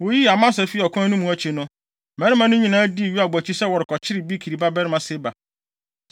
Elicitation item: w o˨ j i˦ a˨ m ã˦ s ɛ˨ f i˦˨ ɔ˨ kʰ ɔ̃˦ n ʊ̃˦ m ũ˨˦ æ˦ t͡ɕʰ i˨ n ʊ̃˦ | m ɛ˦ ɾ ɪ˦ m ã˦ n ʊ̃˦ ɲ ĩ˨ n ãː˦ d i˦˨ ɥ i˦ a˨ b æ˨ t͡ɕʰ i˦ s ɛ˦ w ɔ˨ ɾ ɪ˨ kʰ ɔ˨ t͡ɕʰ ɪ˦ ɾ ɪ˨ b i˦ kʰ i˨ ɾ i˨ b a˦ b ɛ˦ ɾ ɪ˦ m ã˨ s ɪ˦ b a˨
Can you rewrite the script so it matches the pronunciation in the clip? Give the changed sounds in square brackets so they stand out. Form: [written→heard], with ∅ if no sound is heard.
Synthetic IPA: w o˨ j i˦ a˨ m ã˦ s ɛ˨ f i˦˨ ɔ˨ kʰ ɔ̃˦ n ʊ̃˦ m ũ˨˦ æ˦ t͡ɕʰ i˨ n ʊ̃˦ | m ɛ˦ ɾ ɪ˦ m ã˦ n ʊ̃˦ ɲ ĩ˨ n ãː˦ d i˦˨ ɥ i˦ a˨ b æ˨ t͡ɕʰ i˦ s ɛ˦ w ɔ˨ ɾ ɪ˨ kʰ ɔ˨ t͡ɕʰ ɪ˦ ɾ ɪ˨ b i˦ kʰ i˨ ɾ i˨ b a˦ b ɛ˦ ɾ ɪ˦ m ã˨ s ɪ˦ b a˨